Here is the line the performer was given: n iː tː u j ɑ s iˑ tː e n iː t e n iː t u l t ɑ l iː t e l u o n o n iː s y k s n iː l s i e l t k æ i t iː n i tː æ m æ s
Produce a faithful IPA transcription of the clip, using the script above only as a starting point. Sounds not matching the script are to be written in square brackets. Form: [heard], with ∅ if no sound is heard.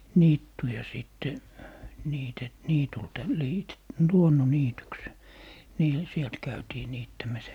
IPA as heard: n iː tː u j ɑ s iˑ tː e n iː t e n iː t u l t ɑ l iː t e l u o [nː] o n iː [t] y k s n iː l s i e l t k æ [y] t iː n [iː] tː æ m æ s